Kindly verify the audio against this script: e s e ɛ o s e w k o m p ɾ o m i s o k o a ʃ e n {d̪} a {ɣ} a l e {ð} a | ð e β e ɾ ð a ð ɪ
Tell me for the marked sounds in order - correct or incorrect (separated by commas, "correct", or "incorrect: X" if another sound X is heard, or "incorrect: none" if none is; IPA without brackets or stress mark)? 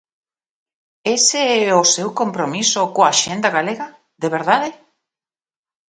correct, correct, incorrect: ɣ